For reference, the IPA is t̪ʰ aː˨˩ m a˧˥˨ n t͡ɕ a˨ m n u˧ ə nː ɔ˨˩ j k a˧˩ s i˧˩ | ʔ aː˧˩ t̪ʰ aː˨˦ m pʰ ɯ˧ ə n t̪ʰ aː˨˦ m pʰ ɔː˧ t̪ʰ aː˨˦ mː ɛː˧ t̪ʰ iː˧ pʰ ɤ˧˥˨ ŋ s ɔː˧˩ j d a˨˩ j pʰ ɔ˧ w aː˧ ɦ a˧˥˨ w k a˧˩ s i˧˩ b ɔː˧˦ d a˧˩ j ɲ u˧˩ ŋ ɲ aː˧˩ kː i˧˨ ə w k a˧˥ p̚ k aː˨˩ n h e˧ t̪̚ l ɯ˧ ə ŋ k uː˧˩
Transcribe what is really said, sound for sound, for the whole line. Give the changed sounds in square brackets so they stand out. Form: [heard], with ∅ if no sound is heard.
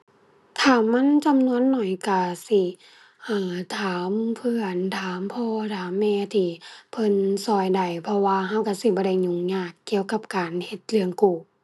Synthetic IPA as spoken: t̪ʰ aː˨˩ m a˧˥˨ n t͡ɕ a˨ m n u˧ ə nː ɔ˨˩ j k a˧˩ s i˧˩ | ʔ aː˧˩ t̪ʰ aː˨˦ m pʰ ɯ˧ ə n t̪ʰ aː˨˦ m pʰ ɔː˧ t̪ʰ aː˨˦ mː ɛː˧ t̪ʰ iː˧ pʰ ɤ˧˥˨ [n] s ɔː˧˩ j d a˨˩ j pʰ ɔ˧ w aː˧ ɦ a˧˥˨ w k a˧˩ s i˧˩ b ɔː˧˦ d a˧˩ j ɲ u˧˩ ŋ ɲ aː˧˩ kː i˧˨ ə w k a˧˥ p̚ k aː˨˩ n h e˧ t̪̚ l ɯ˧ ə ŋ k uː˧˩